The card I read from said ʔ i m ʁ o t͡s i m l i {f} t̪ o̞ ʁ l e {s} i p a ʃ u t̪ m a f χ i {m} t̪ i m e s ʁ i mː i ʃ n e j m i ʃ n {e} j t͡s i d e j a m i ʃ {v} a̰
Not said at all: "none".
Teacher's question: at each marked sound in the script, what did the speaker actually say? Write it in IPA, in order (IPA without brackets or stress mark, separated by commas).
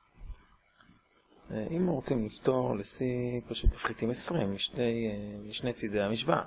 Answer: f, s, none, e, v